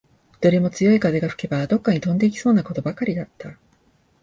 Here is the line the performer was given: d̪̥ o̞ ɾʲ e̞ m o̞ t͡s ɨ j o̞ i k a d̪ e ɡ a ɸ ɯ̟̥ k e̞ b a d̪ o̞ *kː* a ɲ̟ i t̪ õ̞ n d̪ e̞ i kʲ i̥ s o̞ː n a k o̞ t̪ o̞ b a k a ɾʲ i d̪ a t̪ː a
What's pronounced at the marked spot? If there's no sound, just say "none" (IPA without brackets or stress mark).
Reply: kː